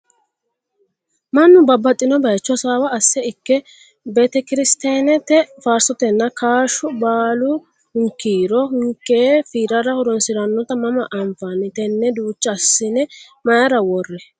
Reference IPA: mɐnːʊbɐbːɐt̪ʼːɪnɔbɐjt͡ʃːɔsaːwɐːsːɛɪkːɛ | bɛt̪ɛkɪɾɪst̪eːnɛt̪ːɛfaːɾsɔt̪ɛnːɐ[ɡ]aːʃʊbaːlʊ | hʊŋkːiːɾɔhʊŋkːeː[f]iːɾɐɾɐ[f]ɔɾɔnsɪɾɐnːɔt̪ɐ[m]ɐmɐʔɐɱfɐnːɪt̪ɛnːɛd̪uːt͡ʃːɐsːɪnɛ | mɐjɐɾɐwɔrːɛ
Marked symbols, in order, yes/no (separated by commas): no, yes, no, yes